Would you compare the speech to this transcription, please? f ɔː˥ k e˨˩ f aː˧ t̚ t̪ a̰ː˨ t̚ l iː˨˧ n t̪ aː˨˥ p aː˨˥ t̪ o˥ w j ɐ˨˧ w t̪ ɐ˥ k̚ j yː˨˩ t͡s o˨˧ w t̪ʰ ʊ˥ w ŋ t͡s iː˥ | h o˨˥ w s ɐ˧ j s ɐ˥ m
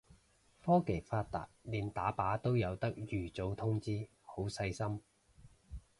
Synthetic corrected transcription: f ɔː˥ k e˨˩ f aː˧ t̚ t̪ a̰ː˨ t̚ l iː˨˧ n t̪ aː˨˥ p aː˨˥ t̪ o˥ w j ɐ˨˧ w t̪ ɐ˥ k̚ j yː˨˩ t͡s o˨˧ w t̪ʰ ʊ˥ ŋ t͡s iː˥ | h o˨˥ w s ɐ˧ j s ɐ˥ m

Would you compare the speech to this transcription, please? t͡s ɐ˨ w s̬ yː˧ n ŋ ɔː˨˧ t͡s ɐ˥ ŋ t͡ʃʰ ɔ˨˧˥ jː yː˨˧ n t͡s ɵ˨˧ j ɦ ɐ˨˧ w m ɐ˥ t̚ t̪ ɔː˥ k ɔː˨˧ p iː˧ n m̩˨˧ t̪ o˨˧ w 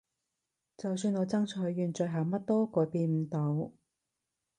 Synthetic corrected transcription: t͡s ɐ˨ w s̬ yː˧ n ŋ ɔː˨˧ t͡s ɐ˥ ŋ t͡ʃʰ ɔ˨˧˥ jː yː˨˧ n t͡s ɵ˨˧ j ɦ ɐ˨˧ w m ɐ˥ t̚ t̪ ɔː˥ k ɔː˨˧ p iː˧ n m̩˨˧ t̪ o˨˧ w

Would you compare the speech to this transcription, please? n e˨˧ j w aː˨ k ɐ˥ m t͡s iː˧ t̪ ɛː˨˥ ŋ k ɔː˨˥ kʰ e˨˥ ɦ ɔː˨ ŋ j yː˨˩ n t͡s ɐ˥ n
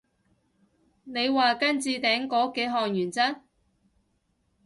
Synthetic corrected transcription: n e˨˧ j w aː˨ k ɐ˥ n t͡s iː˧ t̪ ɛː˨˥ ŋ k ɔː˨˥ k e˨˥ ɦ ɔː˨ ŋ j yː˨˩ n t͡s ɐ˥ n

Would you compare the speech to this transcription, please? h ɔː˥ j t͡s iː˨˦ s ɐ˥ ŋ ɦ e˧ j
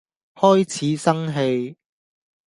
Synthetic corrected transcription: h ɔː˥ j t͡sʰ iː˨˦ s ɐ˥ ŋ ɦ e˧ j

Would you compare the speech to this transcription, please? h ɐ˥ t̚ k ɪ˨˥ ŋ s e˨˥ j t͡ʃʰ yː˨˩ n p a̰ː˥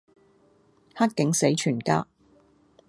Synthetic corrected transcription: h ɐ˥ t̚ k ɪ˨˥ ŋ s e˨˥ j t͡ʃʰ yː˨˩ n k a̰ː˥

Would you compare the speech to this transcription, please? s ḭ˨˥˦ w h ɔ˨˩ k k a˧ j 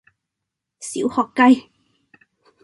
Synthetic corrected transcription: s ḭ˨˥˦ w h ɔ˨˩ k k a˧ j

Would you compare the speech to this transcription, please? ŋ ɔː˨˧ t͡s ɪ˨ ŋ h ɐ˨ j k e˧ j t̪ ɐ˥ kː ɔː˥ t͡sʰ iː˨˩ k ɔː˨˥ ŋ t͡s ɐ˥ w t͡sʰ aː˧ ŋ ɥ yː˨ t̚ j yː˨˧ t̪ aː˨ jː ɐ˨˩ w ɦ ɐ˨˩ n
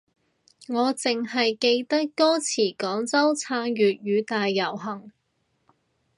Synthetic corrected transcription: ŋ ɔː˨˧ t͡s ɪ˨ ŋ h ɐ˨ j k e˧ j t̪ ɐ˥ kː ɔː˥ t͡sʰ iː˨˩ k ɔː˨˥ ŋ t͡s ɐ˥ w t͡sʰ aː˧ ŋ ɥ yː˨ t̚ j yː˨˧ t̪ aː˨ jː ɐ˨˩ w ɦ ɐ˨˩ ŋ

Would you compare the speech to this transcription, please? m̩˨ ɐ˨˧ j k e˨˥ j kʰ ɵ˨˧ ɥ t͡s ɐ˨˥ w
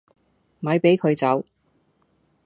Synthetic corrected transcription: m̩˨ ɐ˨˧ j p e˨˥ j kʰ ɵ˨˧ ɥ t͡s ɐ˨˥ w

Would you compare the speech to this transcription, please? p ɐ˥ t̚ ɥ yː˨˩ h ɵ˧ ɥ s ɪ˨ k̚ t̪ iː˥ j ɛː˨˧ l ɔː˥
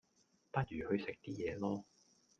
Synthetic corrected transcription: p ɐ˥ t̚ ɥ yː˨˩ h ɵ˧ ɥ s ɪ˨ k̚ t̪ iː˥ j ɛː˨˧ l ɔː˥

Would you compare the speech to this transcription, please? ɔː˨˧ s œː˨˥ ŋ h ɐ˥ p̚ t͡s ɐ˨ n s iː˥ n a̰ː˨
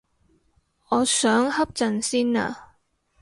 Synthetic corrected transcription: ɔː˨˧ s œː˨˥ ŋ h ɐ˥ p̚ t͡s ɐ˨ n s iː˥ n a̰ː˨

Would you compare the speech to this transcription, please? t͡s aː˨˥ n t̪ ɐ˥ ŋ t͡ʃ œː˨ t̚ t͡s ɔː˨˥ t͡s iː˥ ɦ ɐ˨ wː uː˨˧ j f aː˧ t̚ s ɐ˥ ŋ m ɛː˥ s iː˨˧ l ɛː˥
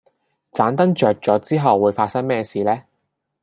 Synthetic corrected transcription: t͡s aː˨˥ n t̪ ɐ˥ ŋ t͡ʃ œː˨ k̚ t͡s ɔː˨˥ t͡s iː˥ ɦ ɐ˨ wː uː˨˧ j f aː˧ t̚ s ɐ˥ ŋ m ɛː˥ s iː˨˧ l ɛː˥

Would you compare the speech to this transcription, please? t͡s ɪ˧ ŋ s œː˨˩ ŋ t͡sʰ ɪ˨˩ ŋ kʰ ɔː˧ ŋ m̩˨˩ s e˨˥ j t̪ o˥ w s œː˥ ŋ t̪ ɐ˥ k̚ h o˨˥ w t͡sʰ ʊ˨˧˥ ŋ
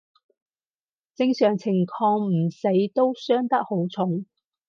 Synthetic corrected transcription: t͡s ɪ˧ ŋ s œː˨˩ ŋ t͡sʰ ɪ˨˩ ŋ kʰ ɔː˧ ŋ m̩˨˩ s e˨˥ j t̪ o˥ w s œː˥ ŋ t̪ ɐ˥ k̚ h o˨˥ w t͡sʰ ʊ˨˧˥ ŋ

